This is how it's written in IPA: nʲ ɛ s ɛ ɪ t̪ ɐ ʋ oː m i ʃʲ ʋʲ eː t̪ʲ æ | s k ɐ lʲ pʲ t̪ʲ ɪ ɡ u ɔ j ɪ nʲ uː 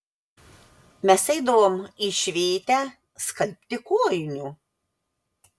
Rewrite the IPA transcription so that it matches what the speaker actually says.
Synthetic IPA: mʲ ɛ s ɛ ɪ d̪ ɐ ʋ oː m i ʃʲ ʋʲ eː t̪ʲ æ | s k ɐ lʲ pʲ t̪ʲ ɪ k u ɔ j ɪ nʲ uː